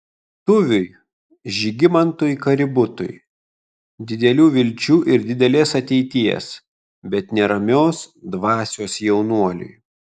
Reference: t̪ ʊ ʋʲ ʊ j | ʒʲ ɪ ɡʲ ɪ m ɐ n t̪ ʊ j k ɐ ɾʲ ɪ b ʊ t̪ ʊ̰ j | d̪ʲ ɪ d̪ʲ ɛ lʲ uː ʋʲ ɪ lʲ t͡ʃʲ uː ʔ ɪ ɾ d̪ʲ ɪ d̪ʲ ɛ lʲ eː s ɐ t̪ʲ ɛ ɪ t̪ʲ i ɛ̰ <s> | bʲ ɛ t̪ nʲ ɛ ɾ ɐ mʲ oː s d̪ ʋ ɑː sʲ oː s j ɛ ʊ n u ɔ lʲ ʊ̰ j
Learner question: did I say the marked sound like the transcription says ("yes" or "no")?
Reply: yes